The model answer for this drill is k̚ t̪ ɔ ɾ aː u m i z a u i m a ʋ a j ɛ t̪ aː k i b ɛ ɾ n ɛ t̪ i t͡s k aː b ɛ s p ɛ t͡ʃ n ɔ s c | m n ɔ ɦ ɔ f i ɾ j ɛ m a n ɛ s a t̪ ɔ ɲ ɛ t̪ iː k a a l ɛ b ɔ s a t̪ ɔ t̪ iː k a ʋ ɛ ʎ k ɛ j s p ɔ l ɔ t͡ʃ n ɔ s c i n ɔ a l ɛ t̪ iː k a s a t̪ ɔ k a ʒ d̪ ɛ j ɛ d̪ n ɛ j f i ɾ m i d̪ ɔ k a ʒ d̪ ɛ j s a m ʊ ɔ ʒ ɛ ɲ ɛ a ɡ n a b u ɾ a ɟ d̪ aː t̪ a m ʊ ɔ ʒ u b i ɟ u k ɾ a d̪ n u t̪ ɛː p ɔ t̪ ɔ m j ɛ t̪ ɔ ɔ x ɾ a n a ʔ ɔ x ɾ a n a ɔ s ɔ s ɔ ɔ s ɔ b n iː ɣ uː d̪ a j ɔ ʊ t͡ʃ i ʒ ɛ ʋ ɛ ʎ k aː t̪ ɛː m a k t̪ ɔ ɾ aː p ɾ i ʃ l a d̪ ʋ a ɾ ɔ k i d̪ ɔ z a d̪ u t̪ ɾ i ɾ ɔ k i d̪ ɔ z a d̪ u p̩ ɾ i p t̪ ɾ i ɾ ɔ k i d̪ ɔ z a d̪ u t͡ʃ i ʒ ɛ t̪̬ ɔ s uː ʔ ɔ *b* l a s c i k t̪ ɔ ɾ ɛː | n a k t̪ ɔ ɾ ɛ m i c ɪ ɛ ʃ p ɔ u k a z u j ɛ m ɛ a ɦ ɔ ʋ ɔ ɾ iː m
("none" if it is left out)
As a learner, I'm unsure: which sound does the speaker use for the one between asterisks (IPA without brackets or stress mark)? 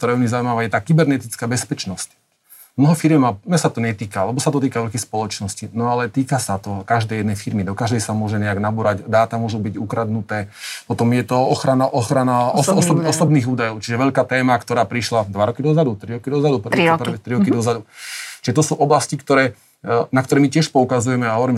b